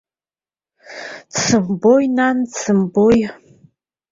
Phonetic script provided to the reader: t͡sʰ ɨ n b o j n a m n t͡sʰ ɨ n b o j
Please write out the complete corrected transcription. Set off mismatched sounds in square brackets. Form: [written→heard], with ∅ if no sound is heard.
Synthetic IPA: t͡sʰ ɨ [n→m] b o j n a [m→∅] n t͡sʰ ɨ [n→m] b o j